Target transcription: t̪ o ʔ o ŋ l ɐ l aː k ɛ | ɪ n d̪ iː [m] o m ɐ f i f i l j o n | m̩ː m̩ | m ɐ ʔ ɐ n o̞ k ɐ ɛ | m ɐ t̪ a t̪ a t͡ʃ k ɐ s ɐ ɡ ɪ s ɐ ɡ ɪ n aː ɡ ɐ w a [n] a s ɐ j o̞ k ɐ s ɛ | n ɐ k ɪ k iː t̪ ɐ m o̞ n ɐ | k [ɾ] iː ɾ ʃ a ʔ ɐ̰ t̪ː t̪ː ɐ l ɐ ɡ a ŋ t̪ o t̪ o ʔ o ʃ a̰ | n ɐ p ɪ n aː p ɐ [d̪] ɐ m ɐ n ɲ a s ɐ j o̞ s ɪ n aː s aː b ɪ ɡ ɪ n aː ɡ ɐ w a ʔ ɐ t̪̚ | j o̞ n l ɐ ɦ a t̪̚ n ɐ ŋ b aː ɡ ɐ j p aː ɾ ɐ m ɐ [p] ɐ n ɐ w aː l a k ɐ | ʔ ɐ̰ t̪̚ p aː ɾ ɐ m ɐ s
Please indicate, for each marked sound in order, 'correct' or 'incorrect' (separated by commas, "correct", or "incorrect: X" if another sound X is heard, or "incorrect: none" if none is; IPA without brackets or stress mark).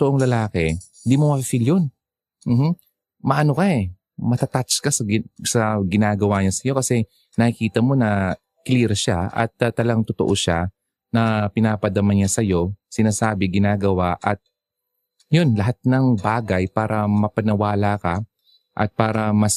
correct, incorrect: ɲ, incorrect: l, correct, correct